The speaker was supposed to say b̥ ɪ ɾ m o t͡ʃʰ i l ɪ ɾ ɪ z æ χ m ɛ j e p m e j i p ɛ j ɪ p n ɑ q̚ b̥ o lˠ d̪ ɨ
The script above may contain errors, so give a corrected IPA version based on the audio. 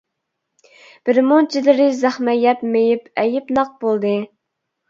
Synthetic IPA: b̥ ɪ ɾ m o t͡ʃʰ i l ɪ ɾ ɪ z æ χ m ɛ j ɛ p m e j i p ɛ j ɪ p n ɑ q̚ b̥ o lˠ d̪ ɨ